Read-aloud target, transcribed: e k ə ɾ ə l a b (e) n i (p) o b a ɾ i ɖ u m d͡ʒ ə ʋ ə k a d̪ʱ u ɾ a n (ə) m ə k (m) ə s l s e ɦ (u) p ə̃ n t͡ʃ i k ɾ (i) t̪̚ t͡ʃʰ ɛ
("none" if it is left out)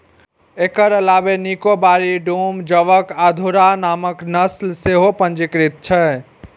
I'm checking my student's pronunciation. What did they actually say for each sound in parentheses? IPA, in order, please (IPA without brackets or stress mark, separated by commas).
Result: e, k, a, n, o, i